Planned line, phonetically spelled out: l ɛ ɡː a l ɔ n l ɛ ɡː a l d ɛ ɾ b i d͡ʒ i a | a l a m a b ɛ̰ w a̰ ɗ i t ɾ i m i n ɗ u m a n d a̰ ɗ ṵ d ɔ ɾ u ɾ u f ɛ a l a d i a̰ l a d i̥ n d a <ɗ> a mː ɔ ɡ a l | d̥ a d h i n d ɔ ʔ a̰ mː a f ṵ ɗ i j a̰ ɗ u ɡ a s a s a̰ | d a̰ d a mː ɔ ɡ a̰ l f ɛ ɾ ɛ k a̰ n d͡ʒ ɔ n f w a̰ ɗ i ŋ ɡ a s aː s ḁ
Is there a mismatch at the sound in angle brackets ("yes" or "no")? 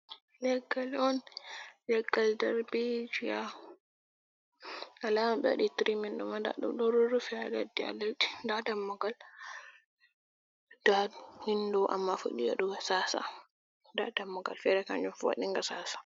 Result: yes